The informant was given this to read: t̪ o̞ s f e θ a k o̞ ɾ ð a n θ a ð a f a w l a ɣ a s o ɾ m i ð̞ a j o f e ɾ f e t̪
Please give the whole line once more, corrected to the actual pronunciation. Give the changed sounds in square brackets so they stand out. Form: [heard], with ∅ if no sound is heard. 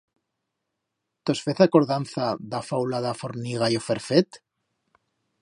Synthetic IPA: t̪ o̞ s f e θ a k o̞ ɾ ð a n θ a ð a f a w l a [ð] a [f] o ɾ [n] i [ɣ̞] a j o f e ɾ f e t̪